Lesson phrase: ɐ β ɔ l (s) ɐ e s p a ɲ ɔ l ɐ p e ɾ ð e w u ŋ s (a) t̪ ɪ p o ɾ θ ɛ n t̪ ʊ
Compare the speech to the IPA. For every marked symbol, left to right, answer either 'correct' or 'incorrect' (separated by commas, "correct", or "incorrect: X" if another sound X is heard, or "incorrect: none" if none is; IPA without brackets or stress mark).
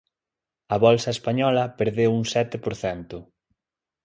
correct, incorrect: ɛ